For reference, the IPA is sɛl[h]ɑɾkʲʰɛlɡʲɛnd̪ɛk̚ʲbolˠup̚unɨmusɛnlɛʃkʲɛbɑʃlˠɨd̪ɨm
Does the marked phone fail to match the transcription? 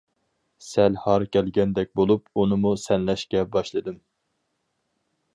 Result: no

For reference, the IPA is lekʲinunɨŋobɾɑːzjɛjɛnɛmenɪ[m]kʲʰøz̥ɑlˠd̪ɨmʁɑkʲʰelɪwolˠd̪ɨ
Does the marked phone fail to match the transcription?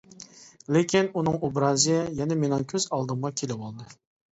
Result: yes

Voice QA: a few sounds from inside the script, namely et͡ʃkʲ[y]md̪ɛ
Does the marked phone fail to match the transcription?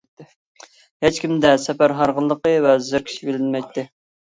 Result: yes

